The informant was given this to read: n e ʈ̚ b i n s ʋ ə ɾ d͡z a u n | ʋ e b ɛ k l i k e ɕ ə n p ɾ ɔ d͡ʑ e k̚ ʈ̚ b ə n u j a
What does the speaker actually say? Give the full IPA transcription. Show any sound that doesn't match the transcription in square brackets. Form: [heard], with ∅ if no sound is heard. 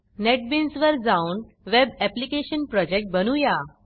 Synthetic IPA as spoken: n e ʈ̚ b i n s ʋ ə ɾ d͡z a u n | ʋ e b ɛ [p] l i k e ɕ ə n p ɾ ɔ d͡ʑ e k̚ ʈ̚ b ə n u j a